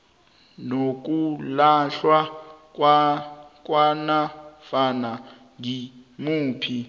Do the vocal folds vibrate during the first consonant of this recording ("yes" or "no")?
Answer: yes